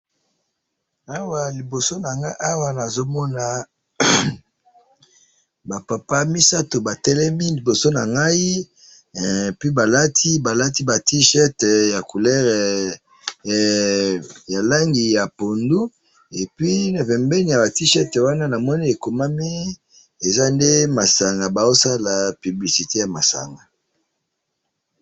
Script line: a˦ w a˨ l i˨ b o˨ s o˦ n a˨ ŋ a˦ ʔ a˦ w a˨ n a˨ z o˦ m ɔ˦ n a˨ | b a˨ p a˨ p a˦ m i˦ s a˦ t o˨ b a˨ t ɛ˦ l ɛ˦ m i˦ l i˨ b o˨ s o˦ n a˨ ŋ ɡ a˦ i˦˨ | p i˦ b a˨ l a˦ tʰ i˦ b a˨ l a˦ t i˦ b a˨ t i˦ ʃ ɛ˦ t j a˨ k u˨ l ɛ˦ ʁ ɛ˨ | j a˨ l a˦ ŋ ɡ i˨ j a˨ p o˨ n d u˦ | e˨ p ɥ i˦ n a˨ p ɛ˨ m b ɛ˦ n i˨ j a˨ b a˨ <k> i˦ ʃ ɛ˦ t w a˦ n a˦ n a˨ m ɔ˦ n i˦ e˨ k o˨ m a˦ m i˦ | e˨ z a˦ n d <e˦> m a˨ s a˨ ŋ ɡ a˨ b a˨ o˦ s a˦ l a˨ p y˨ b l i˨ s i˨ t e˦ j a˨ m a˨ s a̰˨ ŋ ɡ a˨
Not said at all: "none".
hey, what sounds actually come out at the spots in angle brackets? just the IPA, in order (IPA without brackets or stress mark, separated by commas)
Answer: t, e˦